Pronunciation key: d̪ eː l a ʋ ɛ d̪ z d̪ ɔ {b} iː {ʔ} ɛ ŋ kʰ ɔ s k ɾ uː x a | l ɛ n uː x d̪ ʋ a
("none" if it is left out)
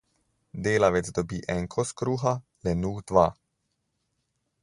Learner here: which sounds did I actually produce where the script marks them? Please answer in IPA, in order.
b, ʔ

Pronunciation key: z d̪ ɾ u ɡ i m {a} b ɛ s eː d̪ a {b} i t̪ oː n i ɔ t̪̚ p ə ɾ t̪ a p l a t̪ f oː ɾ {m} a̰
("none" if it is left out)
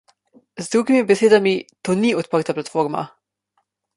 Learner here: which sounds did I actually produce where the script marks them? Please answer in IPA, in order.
i, m, m

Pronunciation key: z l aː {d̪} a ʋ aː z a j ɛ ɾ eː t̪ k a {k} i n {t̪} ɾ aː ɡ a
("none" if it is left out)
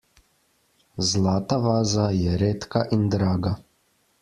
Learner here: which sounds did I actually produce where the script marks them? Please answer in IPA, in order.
t̪, ʔ, d̪

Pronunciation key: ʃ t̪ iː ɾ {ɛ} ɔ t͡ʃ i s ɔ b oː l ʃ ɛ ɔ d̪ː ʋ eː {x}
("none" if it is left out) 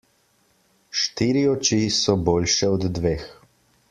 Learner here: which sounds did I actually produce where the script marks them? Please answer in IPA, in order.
i, x

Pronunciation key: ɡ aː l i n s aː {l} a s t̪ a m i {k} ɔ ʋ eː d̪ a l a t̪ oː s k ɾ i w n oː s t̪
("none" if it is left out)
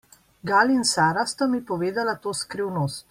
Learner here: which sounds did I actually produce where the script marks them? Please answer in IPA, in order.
ɾ, p

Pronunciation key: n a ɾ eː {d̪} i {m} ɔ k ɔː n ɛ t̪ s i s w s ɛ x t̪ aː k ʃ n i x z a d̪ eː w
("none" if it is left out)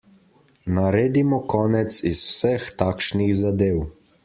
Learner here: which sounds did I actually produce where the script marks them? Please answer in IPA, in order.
d̪, m

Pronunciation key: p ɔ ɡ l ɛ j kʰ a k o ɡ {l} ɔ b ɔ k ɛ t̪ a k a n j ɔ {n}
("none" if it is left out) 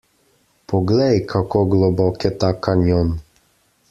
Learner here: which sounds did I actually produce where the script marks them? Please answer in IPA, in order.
l, n

